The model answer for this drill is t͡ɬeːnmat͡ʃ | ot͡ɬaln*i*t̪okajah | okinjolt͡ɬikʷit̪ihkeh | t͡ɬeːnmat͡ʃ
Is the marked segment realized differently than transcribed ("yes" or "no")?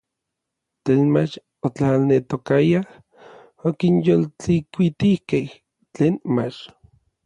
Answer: yes